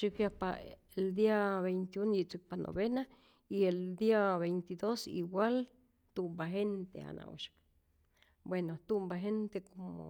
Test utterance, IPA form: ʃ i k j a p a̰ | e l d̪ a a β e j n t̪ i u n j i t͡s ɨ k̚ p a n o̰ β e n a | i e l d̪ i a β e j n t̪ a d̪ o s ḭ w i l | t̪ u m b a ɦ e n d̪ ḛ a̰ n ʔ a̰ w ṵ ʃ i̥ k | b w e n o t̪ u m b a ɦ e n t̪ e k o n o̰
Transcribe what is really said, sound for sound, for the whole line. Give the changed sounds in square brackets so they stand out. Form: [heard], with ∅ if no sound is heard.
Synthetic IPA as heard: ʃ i k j a p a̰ | e l d̪ [i] a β e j n t̪ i u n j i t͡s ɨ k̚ p a n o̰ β e n a | i e l d̪ i a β e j n t̪ [i] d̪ o s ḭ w [a] l | t̪ u m b a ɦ e n [t̪] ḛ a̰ n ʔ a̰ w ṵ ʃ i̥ k | b w e n o t̪ u m b a ɦ e n t̪ e k o [m] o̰